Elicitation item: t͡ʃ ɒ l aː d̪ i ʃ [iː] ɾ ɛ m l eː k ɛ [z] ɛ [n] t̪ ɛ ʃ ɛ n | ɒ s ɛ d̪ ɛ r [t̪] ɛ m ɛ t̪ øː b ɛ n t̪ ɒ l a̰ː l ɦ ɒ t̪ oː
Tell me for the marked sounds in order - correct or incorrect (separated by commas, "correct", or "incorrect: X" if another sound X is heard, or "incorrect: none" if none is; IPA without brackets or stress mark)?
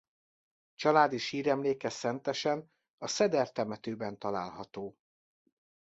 correct, incorrect: s, correct, correct